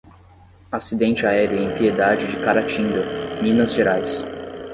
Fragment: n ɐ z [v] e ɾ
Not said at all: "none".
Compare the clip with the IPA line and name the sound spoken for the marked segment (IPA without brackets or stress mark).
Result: ʒ